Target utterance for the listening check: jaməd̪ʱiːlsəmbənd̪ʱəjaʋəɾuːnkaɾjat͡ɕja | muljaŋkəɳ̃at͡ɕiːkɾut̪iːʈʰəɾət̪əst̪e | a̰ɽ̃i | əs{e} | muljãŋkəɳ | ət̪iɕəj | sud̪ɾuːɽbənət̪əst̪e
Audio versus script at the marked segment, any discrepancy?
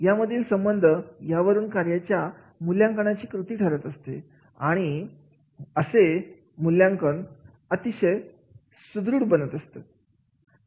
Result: no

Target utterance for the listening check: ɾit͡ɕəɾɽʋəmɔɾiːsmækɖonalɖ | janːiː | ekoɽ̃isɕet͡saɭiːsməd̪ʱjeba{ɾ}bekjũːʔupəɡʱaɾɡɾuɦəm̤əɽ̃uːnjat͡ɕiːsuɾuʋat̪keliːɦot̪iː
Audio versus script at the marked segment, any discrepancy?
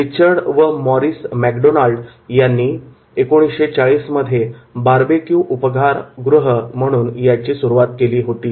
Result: no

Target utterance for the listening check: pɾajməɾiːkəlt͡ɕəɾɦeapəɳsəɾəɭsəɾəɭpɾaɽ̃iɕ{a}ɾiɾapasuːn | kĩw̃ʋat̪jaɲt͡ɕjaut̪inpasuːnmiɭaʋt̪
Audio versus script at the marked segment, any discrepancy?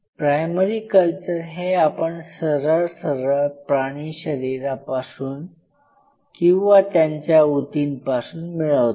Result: yes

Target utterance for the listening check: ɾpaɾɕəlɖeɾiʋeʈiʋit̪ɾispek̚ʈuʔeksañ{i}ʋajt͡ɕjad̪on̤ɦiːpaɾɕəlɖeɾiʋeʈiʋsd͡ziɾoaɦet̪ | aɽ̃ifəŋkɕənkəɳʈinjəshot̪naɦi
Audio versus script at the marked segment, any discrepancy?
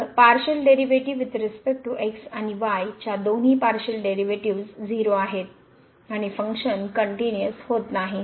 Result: no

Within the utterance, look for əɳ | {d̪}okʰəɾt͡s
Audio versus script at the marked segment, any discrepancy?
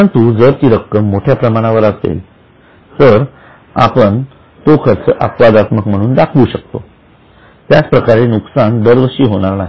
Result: yes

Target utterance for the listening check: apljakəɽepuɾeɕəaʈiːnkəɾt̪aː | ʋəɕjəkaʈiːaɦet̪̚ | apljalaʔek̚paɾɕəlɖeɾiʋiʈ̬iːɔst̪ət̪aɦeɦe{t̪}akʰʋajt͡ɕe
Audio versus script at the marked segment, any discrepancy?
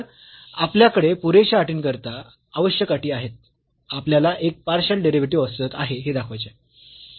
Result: yes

